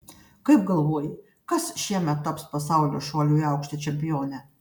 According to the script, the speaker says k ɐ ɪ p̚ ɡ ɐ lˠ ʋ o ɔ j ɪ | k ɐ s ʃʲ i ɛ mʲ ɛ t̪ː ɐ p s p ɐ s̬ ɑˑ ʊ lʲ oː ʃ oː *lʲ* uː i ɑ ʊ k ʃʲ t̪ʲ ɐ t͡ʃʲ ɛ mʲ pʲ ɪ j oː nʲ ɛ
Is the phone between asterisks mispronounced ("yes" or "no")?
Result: no